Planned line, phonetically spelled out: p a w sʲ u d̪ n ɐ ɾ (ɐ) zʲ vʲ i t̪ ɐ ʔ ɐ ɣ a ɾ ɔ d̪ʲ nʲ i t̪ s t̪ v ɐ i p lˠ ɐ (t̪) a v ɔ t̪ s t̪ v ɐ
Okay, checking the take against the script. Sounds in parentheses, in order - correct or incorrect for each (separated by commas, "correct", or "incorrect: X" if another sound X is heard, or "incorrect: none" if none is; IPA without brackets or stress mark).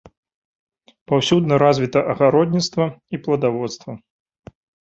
incorrect: a, incorrect: d̪